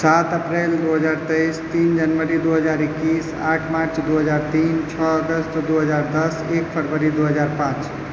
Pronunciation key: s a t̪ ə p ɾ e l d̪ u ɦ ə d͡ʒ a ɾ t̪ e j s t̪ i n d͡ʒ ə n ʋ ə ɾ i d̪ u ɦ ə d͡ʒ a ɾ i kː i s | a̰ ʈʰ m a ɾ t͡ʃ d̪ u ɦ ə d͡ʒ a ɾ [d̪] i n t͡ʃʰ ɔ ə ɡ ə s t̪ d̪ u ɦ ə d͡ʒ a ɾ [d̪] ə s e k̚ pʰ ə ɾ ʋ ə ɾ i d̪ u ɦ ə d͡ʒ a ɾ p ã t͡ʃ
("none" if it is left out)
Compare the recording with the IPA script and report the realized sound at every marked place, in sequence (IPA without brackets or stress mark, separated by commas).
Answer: t̪, d̪